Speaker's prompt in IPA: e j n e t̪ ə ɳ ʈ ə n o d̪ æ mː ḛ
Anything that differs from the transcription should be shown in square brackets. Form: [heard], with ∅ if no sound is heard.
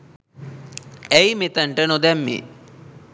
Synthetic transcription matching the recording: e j [m] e t̪ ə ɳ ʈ ə n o d̪ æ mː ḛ